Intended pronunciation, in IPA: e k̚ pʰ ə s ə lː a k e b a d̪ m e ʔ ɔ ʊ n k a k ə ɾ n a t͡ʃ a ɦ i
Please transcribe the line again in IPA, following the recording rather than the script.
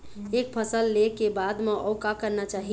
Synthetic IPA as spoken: e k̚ pʰ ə s ə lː e k e b a d̪ m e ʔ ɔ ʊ k a k ə ɾ n a t͡ʃ a ɦ i